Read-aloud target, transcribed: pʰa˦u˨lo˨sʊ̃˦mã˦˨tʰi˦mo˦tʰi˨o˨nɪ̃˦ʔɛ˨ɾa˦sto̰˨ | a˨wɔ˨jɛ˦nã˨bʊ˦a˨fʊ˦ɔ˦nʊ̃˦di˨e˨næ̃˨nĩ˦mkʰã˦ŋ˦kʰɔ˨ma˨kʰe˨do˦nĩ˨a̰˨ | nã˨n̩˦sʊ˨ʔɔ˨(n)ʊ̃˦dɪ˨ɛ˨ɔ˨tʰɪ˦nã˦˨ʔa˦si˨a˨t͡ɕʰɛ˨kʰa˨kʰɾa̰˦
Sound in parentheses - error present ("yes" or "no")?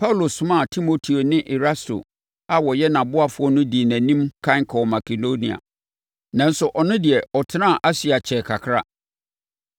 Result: no